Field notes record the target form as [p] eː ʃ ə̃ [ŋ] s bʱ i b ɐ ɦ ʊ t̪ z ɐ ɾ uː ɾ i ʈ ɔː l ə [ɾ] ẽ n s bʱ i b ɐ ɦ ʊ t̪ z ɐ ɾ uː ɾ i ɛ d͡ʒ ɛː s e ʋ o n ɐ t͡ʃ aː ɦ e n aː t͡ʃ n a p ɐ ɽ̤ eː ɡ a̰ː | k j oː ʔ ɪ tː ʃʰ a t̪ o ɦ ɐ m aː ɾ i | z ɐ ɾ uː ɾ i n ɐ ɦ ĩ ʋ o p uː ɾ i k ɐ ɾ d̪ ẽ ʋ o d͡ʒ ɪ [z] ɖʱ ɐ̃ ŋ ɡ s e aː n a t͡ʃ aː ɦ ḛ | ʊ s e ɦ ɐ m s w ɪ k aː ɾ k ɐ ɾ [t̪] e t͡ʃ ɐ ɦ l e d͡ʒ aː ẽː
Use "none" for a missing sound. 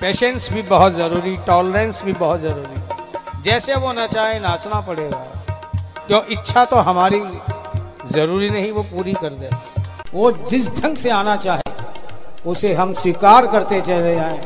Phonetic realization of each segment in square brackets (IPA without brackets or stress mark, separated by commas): p, n, ɾ, s, t̪